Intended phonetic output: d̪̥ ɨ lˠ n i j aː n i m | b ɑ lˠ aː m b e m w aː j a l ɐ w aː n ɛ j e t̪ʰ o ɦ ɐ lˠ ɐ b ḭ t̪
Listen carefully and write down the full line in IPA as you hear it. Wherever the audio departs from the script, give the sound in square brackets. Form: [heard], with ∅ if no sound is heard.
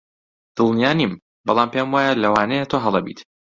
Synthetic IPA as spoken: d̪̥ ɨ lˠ n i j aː n i m | b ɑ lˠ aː m [p] e m w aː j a l ɐ w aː n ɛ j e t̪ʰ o ɦ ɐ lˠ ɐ b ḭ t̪